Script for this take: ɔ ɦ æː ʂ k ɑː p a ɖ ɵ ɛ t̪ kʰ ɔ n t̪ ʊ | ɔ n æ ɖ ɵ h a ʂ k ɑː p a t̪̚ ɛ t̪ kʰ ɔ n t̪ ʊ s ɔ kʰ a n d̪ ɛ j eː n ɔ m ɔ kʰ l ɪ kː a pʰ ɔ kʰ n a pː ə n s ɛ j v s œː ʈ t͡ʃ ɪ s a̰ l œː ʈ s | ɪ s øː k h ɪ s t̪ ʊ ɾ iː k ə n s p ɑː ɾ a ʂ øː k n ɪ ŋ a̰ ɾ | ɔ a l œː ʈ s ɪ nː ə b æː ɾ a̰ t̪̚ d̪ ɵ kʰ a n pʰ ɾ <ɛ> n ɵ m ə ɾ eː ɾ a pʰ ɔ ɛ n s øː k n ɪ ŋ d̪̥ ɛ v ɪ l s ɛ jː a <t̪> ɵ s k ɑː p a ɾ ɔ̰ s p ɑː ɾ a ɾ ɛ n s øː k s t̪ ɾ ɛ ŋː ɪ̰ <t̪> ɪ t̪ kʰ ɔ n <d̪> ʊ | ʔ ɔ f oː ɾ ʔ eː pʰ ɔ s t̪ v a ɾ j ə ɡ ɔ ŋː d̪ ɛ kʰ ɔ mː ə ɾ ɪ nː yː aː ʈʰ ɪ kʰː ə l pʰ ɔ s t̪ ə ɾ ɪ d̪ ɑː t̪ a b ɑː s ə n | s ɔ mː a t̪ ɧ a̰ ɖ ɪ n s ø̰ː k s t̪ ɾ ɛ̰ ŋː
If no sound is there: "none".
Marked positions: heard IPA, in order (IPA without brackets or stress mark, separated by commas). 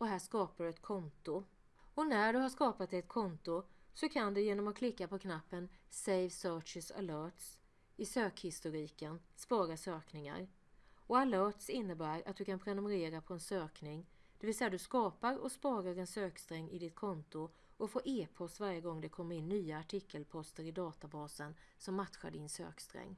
ɛ, d̪, d̪, t̪